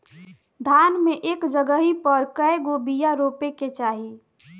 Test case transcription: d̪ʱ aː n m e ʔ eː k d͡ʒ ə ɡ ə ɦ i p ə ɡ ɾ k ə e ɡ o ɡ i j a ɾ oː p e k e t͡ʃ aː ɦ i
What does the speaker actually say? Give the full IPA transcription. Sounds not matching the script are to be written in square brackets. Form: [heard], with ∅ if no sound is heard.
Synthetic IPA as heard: d̪ʱ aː n m e ʔ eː k d͡ʒ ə ɡ ə ɦ i p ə [∅] ɾ k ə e ɡ o [b] i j a ɾ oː p e k e t͡ʃ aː ɦ i